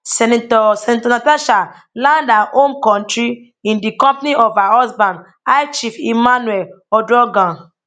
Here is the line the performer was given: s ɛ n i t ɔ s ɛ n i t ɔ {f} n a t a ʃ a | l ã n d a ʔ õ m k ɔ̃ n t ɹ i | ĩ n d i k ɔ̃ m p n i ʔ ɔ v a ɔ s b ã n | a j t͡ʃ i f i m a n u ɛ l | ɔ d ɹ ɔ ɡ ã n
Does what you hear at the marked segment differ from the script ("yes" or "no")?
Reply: yes